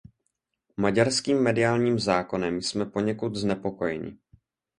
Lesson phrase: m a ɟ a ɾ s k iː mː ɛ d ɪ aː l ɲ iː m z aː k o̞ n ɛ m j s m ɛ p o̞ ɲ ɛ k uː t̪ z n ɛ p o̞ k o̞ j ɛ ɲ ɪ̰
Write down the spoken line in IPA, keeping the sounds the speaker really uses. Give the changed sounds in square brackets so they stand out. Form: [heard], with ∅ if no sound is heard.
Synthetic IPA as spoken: m a ɟ a ɾ s k iː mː ɛ d ɪ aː l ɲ iː m z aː k o̞ n ɛ m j s m ɛ p o̞ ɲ ɛ k [u] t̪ z n ɛ p o̞ k o̞ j ɛ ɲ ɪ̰

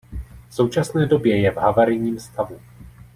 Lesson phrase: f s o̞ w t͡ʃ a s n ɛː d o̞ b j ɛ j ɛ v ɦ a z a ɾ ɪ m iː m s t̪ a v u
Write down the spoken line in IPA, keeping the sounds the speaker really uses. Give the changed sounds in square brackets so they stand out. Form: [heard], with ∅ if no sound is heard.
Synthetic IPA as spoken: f s o̞ w t͡ʃ a s n ɛː d o̞ b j ɛ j ɛ v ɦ a [v] a ɾ ɪ [ɲ] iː m s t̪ a v u

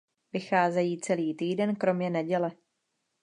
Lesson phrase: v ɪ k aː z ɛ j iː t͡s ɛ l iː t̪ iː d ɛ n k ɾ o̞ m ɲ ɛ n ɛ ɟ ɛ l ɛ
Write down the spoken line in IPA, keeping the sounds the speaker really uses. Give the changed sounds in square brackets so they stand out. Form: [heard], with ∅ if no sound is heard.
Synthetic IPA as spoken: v ɪ [x] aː z ɛ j iː t͡s ɛ l iː t̪ iː d ɛ n k ɾ o̞ m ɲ ɛ n ɛ ɟ ɛ l ɛ

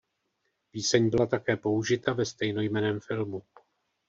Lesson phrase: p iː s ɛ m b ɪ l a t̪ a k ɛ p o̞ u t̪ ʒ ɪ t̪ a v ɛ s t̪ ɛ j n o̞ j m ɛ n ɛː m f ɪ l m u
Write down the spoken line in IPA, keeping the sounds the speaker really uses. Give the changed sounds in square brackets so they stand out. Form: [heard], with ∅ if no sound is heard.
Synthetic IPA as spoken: p iː s ɛ [ɲ] b ɪ l a t̪ a k [ɛː] p o̞ u [∅] ʒ ɪ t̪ a v ɛ s t̪ ɛ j n o̞ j m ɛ n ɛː m f ɪ l m u

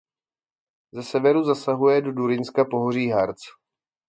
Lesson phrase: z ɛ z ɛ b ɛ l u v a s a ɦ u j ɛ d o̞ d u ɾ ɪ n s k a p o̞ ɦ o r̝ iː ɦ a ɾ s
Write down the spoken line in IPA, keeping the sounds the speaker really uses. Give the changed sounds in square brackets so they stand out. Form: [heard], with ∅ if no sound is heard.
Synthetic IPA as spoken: z ɛ [s] ɛ [v] ɛ [ɾ] u [z] a s a ɦ u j ɛ d o̞ d u ɾ ɪ n s k a p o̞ ɦ o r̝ iː ɦ a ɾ [t͡s]

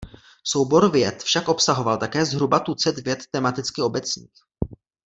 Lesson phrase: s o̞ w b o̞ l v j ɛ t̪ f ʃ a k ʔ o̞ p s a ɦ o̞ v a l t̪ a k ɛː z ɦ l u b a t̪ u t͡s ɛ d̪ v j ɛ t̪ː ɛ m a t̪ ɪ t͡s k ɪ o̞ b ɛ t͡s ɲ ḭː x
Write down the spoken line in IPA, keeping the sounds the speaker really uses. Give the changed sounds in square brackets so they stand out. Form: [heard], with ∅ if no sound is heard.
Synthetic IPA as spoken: s o̞ w b o̞ [ɾ] v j ɛ t̪ f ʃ a k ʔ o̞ p s a ɦ o̞ v a l t̪ a k ɛː z ɦ [ɾ] u b a t̪ u t͡s ɛ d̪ v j ɛ t̪ː ɛ m a t̪ ɪ t͡s k ɪ o̞ b ɛ t͡s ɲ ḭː x

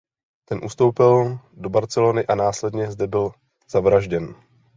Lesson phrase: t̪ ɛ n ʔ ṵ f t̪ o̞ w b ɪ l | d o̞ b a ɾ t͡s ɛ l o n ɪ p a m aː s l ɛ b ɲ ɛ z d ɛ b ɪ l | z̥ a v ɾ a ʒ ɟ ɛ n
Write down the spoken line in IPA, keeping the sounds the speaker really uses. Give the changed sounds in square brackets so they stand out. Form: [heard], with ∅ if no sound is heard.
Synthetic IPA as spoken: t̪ ɛ n ʔ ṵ [s] t̪ o̞ w [p] ɪ l | d o̞ b a ɾ t͡s ɛ l o n ɪ [ʔ] a [n] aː s l ɛ [d] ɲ ɛ z d ɛ b ɪ l | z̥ a v ɾ a ʒ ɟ ɛ n

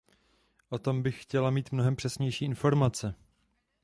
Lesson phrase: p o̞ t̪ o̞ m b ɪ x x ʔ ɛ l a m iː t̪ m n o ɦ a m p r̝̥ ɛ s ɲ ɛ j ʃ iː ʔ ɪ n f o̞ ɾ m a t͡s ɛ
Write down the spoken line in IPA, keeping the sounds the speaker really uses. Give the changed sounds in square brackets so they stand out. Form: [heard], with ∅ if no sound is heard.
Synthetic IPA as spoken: [ʔ] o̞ t̪ o̞ m b ɪ x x [c] ɛ l a m iː t̪ m n o ɦ [ɛ] m p r̝̥ ɛ s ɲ ɛ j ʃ iː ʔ ɪ n f o̞ ɾ m a t͡s ɛ

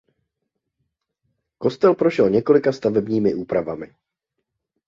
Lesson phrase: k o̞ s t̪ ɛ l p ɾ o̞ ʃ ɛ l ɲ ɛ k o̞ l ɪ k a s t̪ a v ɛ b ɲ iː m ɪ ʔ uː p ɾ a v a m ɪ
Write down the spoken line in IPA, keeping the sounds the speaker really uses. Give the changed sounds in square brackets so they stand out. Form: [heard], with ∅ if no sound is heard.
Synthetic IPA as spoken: k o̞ s t̪ ɛ l p ɾ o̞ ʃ ɛ l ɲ ɛ k o̞ l ɪ k a s t̪ a v ɛ b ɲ iː m ɪ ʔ uː p ɾ a v a m ɪ

